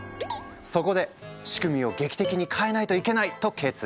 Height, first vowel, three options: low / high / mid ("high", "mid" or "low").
mid